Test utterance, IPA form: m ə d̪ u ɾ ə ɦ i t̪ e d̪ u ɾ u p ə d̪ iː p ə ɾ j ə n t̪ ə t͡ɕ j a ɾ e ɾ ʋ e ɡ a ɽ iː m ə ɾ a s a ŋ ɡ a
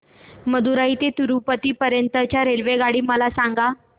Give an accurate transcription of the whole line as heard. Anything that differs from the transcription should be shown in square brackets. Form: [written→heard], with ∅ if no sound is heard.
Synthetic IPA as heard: m ə d̪ u ɾ [ə→a] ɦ i t̪ e [d̪→t̪] u ɾ u p ə [d̪→t̪] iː p ə ɾ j ə n t̪ ə t͡ɕ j a ɾ e [ɾ→l] ʋ e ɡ a ɽ iː m ə [ɾ→l] a s a ŋ ɡ a

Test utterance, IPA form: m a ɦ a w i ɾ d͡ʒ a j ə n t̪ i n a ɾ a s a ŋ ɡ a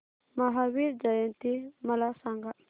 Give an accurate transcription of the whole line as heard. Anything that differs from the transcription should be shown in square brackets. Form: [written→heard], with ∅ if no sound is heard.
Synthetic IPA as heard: m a ɦ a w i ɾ d͡ʒ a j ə n t̪ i [n→m] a [ɾ→l] a s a ŋ ɡ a

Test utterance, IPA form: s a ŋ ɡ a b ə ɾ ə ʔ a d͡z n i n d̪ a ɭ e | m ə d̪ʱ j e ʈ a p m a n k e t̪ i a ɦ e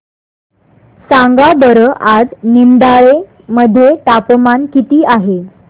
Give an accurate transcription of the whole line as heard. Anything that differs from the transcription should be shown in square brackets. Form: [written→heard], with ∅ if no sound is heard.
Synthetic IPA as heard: s a ŋ ɡ a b ə ɾ ə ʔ a d͡z n i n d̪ a ɭ e | m ə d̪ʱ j e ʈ a p m a n k [e→i] t̪ [i→iː] a ɦ e

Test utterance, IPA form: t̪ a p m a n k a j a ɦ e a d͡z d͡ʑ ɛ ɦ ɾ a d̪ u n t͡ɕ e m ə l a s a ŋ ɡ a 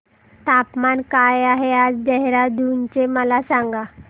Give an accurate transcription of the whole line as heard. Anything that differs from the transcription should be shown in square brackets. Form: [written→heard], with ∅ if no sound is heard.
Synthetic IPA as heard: t̪ a p m a n k a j a ɦ e a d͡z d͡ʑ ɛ ɦ ɾ a d̪ u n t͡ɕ e m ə l a s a ŋ ɡ a

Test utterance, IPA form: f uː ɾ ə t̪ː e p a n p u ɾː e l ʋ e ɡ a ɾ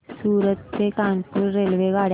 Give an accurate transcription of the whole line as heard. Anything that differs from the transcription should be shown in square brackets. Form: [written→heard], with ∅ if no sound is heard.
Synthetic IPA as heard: [f→s] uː ɾ ə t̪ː e [p→k] a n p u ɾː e l ʋ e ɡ a [ɾ→ɽ]

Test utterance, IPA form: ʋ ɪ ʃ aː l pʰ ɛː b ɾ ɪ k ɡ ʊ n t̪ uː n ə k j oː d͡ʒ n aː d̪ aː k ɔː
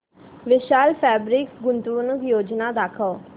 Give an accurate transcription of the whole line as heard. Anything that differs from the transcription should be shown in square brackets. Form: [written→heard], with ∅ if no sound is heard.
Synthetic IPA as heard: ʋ ɪ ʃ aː l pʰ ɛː b ɾ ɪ k ɡ ʊ n t̪ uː n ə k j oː d͡ʒ n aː d̪ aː [k→kʰ] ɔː

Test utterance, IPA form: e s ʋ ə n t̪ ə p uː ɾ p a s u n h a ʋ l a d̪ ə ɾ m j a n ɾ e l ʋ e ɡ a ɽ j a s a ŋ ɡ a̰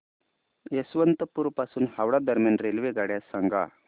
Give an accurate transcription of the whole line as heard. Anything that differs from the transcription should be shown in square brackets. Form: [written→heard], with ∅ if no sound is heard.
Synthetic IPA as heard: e s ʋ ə n t̪ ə p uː ɾ p a s [u→uː] n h a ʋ [l→ɽ] a d̪ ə ɾ m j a n ɾ e l ʋ e ɡ a ɽ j a s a ŋ ɡ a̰

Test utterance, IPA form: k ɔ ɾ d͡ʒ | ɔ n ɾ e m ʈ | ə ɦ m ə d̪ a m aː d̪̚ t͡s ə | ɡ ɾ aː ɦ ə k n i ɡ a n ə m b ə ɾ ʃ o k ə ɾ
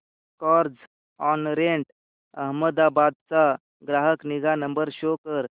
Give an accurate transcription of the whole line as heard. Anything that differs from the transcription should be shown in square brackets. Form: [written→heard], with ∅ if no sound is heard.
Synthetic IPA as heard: k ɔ ɾ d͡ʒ | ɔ n ɾ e [m→ɳ] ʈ | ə ɦ m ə d̪ a [m→b] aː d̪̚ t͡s [ə→a] | ɡ ɾ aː ɦ ə k n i ɡ a n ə m b ə ɾ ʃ o k ə ɾ

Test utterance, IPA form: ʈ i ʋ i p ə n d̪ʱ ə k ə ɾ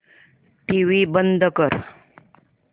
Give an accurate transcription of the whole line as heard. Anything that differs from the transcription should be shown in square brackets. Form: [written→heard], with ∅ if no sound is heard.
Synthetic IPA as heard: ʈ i ʋ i [p→b] ə n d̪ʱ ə k ə ɾ

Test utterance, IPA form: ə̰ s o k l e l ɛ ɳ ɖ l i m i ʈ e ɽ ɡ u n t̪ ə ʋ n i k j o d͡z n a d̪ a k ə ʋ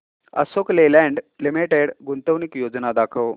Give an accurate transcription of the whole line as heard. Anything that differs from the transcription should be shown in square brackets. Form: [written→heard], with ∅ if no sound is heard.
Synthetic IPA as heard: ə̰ s o k l e l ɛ ɳ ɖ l i m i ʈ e ɽ ɡ u n t̪ ə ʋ n i k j o d͡z n a d̪ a [k→kʰ] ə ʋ

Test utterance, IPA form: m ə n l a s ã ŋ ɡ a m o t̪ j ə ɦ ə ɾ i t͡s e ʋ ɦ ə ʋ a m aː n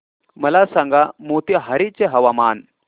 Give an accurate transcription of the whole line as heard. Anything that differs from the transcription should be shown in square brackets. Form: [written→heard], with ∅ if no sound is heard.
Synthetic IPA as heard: m ə [n→∅] l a s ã ŋ ɡ a m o t̪ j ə ɦ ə ɾ i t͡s e [ʋ→∅] ɦ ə ʋ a m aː n

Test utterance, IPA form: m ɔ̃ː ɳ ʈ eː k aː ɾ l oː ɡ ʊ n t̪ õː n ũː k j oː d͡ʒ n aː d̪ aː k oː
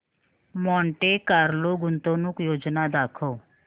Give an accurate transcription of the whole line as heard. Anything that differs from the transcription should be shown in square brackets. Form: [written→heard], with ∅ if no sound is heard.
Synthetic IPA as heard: m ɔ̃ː ɳ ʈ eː k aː ɾ l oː ɡ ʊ n t̪ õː n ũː k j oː d͡ʒ n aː d̪ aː [k→kʰ] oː

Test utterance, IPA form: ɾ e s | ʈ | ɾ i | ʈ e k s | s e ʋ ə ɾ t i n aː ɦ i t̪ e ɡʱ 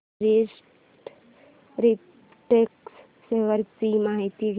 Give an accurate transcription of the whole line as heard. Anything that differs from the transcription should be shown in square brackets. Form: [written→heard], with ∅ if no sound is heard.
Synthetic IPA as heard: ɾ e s | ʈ | ɾ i | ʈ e k s | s e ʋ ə ɾ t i [n→m] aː ɦ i t̪ [e→i] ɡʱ

